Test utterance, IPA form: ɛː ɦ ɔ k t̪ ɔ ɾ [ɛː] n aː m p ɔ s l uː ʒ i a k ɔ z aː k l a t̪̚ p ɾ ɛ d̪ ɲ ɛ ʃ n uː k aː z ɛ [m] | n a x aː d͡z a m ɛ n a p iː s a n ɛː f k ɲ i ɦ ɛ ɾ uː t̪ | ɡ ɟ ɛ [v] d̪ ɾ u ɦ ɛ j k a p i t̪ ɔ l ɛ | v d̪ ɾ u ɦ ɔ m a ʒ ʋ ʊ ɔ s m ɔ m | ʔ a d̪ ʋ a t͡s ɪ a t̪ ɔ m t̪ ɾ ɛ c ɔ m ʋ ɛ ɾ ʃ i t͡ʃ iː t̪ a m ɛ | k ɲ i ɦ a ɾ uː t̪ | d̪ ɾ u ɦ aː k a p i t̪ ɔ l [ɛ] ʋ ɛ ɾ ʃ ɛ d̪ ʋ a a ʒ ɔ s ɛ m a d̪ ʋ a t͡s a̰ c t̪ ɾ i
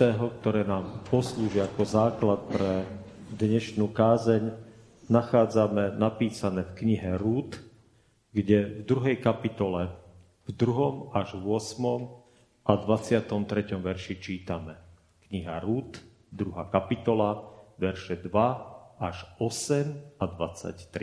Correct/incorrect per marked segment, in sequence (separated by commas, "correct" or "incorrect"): correct, incorrect, correct, incorrect